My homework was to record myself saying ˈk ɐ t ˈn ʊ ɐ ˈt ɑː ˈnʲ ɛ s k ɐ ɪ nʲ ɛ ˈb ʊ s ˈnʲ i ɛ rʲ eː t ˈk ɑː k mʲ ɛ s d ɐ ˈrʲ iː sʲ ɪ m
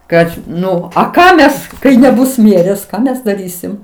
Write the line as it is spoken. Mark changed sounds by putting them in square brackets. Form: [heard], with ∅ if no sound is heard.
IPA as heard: ˈk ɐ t ˈn ʊ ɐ [ˈk] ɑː [ˈmʲ] ɛ s k ɐ ɪ nʲ ɛ ˈb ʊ s [ˈmʲ] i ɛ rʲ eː [s] ˈk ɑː [∅] mʲ ɛ s d ɐ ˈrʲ iː sʲ ɪ m